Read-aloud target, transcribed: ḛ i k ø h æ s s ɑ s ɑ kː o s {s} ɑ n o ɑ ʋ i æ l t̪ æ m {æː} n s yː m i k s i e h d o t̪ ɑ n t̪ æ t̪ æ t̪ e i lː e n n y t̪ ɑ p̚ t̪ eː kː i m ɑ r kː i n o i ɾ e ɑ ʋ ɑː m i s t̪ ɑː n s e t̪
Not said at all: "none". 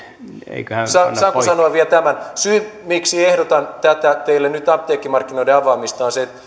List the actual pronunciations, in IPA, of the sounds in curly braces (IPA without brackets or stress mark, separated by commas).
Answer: s, æ